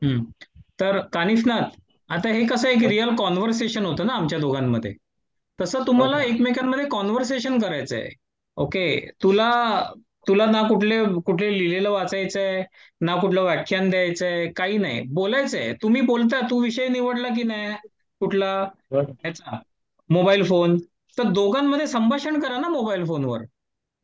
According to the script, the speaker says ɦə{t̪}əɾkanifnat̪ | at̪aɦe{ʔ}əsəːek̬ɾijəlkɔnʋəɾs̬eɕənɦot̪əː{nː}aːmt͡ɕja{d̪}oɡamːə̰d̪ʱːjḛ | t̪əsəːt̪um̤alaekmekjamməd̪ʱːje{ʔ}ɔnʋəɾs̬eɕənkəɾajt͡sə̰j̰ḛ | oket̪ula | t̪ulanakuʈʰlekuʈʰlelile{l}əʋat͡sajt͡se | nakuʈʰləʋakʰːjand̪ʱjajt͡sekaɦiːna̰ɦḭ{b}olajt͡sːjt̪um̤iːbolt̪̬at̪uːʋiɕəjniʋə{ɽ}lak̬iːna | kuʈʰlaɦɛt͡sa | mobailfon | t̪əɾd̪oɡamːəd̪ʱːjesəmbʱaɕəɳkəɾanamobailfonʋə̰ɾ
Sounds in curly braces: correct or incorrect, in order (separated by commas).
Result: correct, incorrect, incorrect, correct, incorrect, correct, correct, correct